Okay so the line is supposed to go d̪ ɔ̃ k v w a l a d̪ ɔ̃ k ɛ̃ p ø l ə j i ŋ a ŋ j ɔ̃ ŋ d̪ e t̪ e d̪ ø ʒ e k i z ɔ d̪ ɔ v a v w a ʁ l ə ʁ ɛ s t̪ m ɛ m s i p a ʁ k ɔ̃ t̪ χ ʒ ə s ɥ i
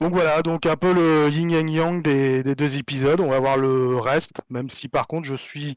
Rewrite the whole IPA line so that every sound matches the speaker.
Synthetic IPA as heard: d̪ ɔ̃ k v w a l a d̪ ɔ̃ k ɛ̃ p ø l ə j i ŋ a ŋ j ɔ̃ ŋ d̪ e d̪ e d̪ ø z e p i z ɔ d̪ ɔ̃ v a v w a ʁ l ə ʁ ɛ s t̪ m ɛ m s i p a ʁ k ɔ̃ t̪ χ ʒ ə s ɥ i